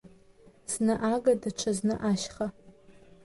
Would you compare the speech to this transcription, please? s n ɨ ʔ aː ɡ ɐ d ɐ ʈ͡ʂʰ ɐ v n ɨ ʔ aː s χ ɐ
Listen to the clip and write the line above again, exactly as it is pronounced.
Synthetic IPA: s n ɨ ʔ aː ɡ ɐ d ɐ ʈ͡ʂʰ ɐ z n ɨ ʔ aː ʃ χ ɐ